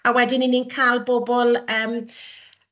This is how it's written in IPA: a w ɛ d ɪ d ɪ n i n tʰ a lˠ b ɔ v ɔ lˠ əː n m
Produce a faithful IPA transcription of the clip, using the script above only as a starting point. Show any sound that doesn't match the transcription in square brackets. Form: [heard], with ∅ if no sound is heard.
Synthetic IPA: a w ɛ d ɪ [n] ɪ n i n [kʰ] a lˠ b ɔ [b] ɔ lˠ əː [∅] m